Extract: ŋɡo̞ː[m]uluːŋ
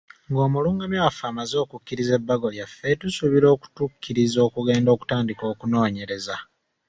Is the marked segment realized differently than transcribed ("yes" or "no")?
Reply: no